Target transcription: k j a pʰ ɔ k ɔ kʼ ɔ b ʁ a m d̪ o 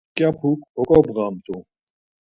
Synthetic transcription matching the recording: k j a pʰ u k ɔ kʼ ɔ b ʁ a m t̪ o